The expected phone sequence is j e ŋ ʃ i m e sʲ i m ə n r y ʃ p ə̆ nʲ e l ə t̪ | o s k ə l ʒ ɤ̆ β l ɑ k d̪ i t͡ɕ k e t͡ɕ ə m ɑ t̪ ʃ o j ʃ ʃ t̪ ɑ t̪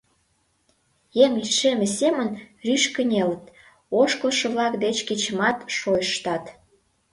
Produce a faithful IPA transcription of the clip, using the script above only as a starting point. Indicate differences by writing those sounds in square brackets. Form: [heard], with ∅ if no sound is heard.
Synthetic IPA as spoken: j e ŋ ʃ [e] m e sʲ [e] m ə n r y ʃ [k] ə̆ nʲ e l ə t̪ | o [ʃ] k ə l [ʃ] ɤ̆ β l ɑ k d̪ [e] t͡ɕ k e t͡ɕ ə m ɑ t̪ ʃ o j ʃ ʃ t̪ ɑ t̪